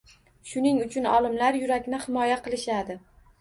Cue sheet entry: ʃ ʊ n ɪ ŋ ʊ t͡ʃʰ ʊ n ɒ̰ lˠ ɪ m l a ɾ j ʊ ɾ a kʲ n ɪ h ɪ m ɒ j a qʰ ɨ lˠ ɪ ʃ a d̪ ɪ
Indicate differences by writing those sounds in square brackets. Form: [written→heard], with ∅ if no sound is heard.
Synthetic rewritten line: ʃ ʊ n ɪ ŋ ʊ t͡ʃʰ ʊ n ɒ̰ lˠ ɪ m l a ɾ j ʊ ɾ a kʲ n ɪ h ɪ m ɒ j a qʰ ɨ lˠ ɪ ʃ a d̪ ɪ